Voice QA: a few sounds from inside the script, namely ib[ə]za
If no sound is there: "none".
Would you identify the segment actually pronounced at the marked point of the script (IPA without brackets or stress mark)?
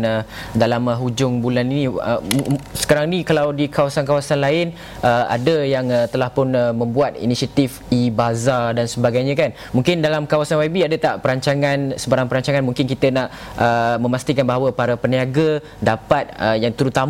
a